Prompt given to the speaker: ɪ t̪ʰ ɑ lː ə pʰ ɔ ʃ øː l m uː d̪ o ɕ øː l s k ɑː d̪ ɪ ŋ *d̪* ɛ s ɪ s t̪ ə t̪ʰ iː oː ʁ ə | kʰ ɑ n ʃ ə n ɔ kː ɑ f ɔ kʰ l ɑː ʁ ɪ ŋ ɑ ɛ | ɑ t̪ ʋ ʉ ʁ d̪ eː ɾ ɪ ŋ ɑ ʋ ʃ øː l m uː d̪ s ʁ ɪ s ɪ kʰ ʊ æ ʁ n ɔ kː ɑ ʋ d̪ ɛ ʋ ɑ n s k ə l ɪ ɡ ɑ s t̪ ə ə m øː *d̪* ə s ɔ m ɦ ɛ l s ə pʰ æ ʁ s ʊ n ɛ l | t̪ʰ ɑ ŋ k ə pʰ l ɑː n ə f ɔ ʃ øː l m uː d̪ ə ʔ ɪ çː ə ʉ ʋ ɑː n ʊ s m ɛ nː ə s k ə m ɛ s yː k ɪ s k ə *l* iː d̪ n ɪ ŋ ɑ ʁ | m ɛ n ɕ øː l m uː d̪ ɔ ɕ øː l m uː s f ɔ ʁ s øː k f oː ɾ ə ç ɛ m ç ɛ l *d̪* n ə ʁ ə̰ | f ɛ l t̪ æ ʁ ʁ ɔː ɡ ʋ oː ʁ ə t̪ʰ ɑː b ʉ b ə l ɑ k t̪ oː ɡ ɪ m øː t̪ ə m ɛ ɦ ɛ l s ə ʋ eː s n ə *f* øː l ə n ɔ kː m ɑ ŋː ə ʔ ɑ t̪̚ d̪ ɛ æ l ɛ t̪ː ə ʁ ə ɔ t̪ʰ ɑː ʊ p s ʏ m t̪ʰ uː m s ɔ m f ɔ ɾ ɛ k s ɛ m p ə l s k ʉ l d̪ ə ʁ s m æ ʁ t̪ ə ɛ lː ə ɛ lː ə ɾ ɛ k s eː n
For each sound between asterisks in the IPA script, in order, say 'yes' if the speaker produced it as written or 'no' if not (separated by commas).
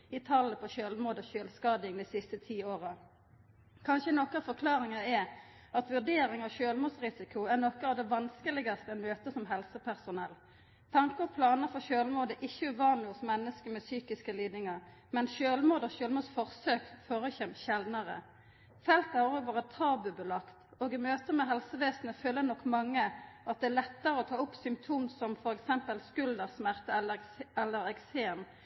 yes, no, yes, yes, yes